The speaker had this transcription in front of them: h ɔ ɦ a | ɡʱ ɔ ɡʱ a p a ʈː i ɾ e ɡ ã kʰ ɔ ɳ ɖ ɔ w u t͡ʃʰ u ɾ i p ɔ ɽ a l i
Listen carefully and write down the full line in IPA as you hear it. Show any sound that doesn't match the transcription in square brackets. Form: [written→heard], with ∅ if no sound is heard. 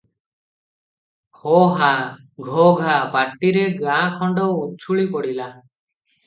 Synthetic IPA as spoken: h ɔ ɦ a | ɡʱ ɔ ɡʱ a p a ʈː i ɾ e ɡ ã kʰ ɔ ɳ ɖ ɔ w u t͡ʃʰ u [ɾ→ɭ] i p ɔ ɽ [a→i] l [i→a]